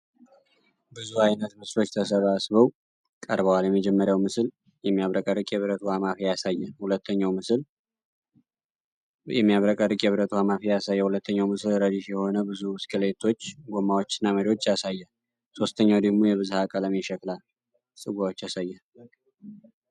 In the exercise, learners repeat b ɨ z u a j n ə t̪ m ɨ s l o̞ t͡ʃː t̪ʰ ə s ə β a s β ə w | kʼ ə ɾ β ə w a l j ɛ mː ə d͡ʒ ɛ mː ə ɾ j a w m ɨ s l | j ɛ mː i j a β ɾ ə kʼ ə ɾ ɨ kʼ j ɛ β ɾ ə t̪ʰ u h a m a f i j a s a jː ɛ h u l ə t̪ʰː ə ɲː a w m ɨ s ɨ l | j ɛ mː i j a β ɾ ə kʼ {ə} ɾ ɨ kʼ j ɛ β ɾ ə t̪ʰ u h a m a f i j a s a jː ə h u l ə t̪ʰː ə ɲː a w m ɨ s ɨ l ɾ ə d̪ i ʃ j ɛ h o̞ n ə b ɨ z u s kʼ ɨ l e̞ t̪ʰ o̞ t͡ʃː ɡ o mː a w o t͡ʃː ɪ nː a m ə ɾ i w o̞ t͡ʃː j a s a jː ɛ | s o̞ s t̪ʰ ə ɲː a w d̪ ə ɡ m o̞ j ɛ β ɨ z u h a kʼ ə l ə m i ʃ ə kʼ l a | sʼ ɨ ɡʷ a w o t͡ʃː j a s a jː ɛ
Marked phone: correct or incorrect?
correct